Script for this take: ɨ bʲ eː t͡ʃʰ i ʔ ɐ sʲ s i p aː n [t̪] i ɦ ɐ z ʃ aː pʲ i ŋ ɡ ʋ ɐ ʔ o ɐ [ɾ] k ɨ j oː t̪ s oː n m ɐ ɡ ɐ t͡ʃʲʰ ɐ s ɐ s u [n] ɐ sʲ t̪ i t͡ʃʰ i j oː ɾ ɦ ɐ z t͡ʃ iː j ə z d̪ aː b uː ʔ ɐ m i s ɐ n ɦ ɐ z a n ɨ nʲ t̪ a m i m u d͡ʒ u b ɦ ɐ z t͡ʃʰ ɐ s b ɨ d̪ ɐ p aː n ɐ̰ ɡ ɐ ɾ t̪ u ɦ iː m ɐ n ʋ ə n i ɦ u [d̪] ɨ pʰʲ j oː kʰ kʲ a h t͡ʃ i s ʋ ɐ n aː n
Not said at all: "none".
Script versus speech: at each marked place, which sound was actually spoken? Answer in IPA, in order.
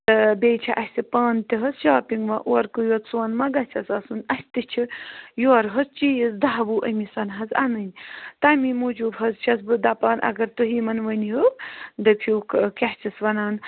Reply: t̪, ɾ, n, d̪

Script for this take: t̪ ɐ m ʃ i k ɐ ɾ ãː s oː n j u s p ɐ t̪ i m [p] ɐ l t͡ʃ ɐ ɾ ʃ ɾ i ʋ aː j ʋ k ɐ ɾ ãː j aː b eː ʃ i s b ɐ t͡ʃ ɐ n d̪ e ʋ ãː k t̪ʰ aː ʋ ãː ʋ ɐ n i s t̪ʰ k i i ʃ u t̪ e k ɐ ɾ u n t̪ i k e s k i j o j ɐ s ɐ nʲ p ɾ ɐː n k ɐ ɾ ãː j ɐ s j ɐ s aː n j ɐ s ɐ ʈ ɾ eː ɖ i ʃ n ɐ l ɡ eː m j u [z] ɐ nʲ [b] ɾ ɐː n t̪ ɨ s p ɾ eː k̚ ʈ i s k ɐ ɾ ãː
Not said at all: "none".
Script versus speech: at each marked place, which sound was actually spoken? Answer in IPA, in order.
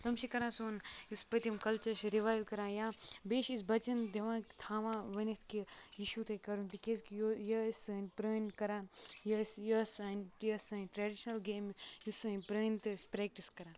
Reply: k, s, p

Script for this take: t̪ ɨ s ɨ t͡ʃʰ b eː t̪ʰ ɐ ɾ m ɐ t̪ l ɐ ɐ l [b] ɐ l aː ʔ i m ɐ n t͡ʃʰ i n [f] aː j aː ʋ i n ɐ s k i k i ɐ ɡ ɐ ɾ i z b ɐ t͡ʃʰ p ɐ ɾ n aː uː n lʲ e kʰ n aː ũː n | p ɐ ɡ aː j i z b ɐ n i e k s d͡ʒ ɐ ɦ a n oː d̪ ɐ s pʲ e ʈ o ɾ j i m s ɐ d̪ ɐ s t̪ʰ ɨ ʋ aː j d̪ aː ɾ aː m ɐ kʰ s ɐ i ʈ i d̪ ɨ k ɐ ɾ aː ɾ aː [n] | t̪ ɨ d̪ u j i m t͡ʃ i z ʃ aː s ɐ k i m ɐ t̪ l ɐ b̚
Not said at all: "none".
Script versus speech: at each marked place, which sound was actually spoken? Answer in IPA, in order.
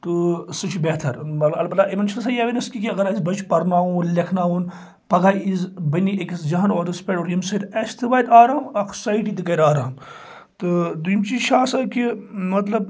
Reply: b, s, m

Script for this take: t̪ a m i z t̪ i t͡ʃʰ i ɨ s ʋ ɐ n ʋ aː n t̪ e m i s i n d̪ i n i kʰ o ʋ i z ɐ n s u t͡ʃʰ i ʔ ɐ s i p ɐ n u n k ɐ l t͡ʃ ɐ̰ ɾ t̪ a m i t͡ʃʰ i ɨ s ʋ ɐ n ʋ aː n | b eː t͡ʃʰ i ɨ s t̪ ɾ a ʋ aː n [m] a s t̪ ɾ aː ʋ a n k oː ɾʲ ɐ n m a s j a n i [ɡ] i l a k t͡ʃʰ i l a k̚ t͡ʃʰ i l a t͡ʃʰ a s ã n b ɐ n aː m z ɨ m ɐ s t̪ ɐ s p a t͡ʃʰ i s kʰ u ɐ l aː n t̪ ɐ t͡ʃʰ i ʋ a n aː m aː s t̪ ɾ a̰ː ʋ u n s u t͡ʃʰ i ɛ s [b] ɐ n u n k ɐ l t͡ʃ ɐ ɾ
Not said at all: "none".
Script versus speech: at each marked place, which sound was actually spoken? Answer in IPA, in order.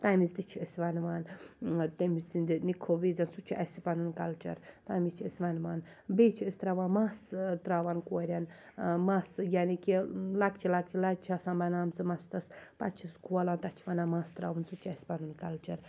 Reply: m, k, p

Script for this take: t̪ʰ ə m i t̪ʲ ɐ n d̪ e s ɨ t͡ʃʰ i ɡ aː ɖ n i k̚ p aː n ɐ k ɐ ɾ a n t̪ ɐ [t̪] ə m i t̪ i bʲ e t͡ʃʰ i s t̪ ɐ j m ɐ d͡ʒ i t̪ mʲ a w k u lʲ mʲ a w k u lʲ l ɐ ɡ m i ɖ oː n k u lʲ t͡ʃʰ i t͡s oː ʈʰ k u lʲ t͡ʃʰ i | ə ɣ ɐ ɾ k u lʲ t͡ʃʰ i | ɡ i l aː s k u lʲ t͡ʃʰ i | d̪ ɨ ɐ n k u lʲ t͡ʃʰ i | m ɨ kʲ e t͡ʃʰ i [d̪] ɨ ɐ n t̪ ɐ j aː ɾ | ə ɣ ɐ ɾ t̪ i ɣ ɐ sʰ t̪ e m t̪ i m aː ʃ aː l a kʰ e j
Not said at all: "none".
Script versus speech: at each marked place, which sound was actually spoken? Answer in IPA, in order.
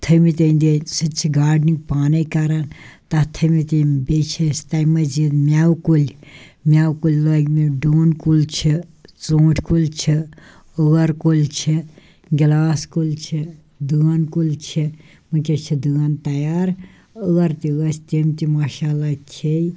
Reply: t̪ʰ, d̪

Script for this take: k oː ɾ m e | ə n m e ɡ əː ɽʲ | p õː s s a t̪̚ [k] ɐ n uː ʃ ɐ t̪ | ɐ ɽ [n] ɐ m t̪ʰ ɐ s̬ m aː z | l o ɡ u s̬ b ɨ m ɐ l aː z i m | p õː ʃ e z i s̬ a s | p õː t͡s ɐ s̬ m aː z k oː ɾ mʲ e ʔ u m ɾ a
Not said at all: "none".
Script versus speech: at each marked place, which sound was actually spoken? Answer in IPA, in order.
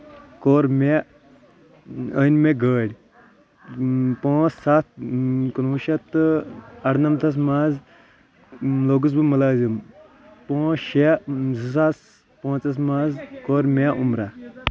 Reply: k, n

